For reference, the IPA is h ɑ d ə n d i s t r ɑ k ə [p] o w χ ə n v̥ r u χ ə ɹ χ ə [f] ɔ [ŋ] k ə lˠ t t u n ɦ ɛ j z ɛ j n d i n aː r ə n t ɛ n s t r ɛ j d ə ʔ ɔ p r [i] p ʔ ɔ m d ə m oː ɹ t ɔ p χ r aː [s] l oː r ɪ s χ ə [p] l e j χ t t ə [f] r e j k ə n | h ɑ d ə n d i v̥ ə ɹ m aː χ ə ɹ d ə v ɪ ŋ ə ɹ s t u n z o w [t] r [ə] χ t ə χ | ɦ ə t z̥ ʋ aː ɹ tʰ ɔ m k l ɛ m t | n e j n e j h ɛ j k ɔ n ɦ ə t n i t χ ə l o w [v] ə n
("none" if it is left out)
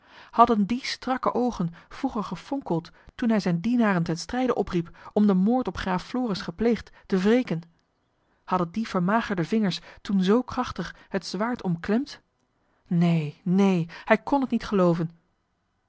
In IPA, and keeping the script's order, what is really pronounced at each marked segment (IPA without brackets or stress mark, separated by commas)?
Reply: ʔ, f, ŋ, i, f, p, v, k, ɑ, v